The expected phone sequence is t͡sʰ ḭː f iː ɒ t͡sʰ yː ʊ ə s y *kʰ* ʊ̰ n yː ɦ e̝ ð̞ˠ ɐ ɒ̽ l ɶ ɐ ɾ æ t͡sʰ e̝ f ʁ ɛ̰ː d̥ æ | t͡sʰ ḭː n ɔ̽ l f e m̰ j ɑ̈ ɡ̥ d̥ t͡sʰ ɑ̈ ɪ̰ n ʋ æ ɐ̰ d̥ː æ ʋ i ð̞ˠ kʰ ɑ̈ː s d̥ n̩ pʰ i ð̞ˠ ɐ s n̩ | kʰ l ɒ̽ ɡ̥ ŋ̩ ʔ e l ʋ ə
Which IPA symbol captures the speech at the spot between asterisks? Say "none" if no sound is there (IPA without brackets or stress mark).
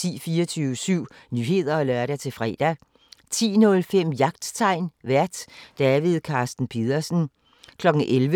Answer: none